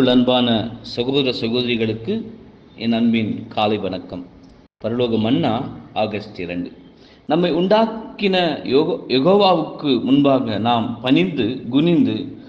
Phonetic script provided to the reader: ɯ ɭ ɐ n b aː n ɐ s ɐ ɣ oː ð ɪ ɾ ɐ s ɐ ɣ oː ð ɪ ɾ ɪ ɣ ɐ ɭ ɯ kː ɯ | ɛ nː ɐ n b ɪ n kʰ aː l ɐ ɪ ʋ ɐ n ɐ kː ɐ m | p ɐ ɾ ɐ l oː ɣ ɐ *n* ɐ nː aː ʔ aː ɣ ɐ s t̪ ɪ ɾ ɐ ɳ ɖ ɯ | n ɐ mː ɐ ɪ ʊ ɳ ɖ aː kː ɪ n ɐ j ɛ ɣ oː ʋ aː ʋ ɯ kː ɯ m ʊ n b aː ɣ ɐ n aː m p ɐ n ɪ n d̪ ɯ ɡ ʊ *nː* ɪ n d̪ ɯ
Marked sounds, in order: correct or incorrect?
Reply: incorrect, incorrect

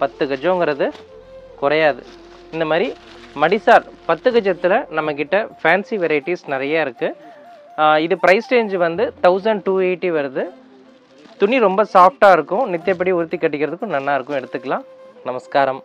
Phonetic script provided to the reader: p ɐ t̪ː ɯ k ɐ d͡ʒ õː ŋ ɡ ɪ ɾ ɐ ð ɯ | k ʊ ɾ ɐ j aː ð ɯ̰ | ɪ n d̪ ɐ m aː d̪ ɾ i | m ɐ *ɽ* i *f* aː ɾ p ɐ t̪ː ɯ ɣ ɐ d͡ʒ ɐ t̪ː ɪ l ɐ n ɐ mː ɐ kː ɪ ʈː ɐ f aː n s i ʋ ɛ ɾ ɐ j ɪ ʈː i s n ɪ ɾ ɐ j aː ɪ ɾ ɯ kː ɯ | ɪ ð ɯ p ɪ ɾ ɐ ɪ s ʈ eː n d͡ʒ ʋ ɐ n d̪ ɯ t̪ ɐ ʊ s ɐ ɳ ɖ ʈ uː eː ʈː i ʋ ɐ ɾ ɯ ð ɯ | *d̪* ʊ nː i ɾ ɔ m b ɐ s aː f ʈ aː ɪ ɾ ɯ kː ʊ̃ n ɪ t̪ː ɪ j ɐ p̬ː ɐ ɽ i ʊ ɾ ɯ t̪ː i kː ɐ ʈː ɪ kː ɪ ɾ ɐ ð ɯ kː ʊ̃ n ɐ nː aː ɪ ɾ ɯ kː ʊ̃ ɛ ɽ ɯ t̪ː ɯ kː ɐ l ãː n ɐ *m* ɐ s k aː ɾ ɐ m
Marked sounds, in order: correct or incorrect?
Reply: correct, incorrect, incorrect, correct

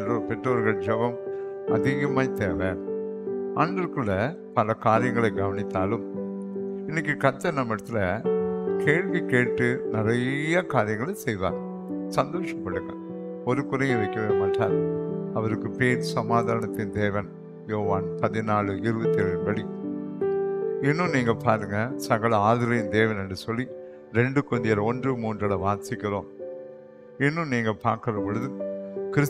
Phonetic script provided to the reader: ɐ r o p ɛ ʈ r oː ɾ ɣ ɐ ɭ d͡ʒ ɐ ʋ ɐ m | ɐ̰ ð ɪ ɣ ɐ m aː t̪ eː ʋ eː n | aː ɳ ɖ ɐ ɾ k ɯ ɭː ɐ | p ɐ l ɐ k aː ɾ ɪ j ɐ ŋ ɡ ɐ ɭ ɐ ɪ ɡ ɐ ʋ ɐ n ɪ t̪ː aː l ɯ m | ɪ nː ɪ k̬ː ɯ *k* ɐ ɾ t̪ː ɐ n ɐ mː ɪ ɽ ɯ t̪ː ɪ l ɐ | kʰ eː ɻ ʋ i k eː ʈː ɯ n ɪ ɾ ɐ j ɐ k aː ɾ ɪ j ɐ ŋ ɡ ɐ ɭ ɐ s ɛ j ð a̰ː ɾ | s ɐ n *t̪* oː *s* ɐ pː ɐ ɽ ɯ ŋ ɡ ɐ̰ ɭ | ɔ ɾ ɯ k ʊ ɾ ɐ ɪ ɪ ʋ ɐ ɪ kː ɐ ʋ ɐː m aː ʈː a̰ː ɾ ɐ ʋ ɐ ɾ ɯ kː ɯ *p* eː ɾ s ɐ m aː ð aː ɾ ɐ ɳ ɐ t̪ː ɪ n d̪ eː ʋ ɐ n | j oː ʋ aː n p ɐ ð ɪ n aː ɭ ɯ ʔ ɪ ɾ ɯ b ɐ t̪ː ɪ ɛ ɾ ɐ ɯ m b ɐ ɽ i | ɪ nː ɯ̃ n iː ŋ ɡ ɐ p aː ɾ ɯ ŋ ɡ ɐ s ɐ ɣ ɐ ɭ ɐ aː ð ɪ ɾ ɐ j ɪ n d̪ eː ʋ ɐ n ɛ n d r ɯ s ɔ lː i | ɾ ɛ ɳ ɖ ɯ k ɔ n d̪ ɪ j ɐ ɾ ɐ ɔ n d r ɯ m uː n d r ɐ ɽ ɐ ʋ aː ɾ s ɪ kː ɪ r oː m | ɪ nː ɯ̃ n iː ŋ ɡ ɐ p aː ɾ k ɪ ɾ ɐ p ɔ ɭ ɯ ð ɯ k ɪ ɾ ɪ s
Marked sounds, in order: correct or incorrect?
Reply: correct, incorrect, incorrect, correct

